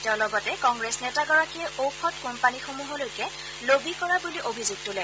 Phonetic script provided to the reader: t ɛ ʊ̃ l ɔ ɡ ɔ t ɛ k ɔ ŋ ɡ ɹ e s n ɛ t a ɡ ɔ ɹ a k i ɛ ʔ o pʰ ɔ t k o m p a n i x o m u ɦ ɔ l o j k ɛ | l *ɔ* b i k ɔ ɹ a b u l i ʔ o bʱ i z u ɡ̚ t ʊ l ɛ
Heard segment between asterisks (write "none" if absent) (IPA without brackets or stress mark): o